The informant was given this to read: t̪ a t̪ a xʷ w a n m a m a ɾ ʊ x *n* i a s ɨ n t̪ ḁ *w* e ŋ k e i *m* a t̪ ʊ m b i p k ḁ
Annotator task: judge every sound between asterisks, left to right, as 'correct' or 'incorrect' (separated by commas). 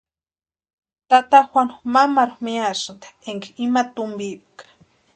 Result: incorrect, incorrect, correct